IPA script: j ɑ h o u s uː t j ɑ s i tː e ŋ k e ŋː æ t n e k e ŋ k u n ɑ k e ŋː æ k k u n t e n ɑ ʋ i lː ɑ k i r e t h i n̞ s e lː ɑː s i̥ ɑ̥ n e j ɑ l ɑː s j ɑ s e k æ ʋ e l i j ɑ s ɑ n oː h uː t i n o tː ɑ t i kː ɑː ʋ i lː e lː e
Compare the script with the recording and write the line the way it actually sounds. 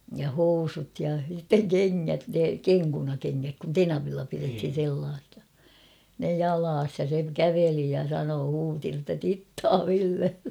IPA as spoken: j ɑ h o u s u t j ɑ s i tː e ŋ k e ŋː æ t n e k e ŋ k u n ɑ k e ŋː æ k k u n t e n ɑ ʋ i lː ɑ p i r e t h i n̞ s e lː ɑː s i̥ ɑ̥ n e j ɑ l ɑː s j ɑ s e k æ ʋ e l i j ɑ s ɑ n oː h uː t i n o tː ɑ t i tː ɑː ʋ i lː e lː e

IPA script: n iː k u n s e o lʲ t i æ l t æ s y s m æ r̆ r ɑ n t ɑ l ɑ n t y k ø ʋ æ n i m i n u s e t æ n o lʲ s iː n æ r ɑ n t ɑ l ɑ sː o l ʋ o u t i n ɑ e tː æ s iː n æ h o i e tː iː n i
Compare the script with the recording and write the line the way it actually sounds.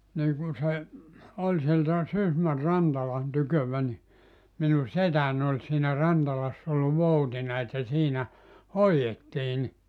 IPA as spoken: n iː k u n s e o lʲ s i e l t æ s y s m æ r̆ r ɑ n t ɑ l ɑ n t y k ø ʋ æ n i m i n u s e t æ n o lʲ s iː n æ r ɑ n t ɑ l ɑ sː o l ʋ o u t i n ɑ e tː æ s iː n æ h o i e tː iː n i

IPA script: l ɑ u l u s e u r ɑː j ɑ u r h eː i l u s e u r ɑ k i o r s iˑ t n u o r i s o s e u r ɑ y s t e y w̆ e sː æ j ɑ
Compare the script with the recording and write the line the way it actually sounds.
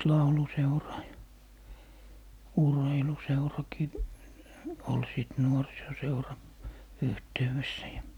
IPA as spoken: l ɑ u l u s e u r ɑː j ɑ u r h e i l u s e u r ɑ k i o l s iˑ t n u o r i s o s e u r ɑ y h t e y w̆ e sː æ j ɑ

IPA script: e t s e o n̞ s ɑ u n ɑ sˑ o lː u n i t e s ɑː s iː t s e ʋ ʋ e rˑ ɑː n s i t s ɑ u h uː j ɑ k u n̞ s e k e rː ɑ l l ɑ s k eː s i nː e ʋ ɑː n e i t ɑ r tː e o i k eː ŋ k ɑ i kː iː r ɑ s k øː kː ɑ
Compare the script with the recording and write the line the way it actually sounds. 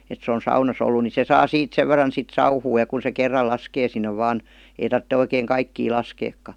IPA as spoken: e t s e o n̞ s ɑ u n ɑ sˑ o lː u n i s e s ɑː s iː t s e ʋ ʋ e rˑ ɑ n s i t s ɑ u h uː j ɑ k u n̞ s e k e rː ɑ l l ɑ s k eː s i nː e ʋ ɑː n e i t ɑ r tː e o i k eː ŋ k ɑ i kː iː l ɑ s k eː kː ɑ

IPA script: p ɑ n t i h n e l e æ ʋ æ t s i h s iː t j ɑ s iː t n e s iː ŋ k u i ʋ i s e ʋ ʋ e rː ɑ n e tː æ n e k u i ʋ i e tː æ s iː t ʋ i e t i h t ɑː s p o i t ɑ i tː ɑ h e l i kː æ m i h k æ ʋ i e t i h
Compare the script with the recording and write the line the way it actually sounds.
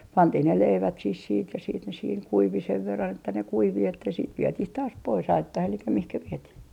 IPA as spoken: p ɑ n t i h n e l e i ʋ æ t s i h s iː t j ɑ s iː t n e s iː ŋ k u i ʋ i s e ʋ ʋ e rː ɑ n e tː æ n e k u i ʋ i e tː æ s iː t ʋ i e t i h t ɑː s p o i s ɑ i tː ɑ h e l i kː æ m i h k æ ʋ i e t i h

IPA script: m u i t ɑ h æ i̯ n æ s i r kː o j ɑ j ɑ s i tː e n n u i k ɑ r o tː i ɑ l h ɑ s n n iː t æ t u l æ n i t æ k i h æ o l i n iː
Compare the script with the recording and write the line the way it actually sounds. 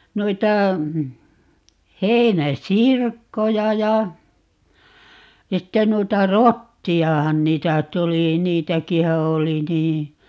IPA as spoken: m u i t ɑ h e i̯ n æ s i r kː o j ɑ j ɑ s i tː e n n u i t ɑ r o tː i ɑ h ɑ n n iː t æ t u l i n iː t æ k i h æ o l i n iː

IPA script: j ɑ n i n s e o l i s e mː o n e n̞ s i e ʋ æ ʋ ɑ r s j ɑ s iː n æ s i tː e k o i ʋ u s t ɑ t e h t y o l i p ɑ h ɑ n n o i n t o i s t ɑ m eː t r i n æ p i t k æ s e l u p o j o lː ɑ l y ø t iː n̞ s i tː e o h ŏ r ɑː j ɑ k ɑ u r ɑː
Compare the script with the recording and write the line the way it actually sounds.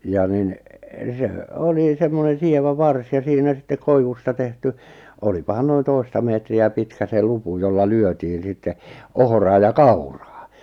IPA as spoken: j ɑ n i n s e o l i s e mː o n e n̞ s i e ʋ æ ʋ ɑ r s j ɑ s iː n æ s i tː e k o i ʋ u s t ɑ t e h t y o l i p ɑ h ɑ n n o i n t o i s t ɑ m eː t r i æ p i t k æ s e l u p u j o lː ɑ l y ø t iː n̞ s i tː e o h ŏ r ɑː j ɑ k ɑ u r ɑː

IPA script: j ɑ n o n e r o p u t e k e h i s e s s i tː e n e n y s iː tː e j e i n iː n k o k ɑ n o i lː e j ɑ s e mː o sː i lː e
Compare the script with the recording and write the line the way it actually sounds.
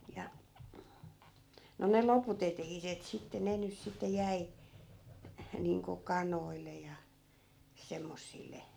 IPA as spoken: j ɑ n o n e l o p u t e t e h i s e t s i tː e n e n y s i tː e j æ i n iː ŋ k o k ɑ n o i lː e j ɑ s e mː o sː i lː e

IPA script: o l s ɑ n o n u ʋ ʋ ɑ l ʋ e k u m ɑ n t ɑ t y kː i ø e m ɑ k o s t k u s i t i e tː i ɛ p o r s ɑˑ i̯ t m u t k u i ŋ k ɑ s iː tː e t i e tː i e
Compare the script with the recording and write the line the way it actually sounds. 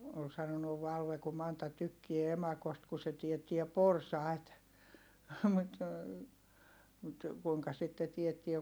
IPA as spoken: o l s ɑ n o n u ʋ ʋ ɑ l ʋ e k u m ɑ n t ɑ t y kː i e e m ɑ k o s t k u s e t i e tː i ɛ p o r s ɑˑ i̯ t m u t k u i ŋ k ɑ s i tː e t i e tː i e

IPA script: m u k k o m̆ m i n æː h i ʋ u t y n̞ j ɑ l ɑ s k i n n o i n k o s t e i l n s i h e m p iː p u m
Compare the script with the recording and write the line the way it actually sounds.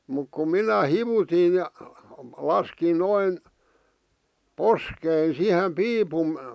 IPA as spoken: m u k k u m̆ m i n æ h i ʋ u t i n̞ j ɑ l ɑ s k i n n o i n p o s k e i n s i h e m p iː p u m

